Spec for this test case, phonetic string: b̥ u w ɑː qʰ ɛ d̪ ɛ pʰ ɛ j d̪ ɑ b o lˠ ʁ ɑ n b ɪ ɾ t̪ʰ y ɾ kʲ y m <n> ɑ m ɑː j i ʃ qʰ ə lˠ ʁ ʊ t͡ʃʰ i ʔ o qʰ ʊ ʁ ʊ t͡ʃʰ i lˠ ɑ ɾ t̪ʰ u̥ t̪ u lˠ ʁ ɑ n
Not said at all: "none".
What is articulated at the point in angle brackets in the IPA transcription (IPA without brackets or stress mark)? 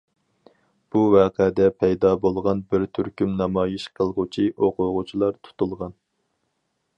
n